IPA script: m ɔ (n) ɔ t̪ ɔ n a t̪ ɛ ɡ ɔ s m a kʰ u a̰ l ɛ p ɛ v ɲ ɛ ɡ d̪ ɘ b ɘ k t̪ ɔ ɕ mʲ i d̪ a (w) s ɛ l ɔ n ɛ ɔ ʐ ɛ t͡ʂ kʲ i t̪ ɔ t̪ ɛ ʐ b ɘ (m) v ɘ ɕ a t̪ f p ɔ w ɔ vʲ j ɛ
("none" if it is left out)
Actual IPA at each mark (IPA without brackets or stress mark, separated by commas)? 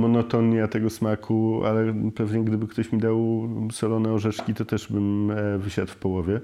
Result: n, w, m